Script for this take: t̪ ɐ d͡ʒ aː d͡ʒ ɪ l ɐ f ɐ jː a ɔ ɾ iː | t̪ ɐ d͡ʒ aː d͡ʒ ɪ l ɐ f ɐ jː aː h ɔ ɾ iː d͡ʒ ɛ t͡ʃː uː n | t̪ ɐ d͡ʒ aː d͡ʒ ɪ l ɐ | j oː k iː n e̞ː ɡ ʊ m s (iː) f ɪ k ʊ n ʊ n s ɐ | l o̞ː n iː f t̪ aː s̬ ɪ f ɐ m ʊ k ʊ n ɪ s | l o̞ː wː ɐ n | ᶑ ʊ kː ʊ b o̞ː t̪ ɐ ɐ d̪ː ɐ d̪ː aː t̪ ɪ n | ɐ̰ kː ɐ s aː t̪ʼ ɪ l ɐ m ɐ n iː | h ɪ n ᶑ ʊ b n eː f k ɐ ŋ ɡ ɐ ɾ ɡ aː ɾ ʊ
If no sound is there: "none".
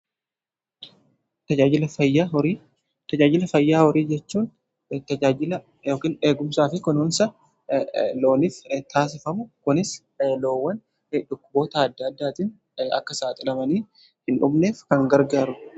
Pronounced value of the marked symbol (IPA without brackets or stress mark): aː